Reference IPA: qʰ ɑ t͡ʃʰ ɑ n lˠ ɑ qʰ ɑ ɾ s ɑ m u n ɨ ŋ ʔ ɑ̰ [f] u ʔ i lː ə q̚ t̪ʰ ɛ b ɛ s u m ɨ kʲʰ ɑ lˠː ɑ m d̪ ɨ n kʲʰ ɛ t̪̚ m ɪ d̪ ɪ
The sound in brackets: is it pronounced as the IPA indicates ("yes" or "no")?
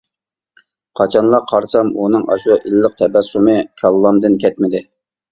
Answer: no